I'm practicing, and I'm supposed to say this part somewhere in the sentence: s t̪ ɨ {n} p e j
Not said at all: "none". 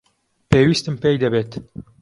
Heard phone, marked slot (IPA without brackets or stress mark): m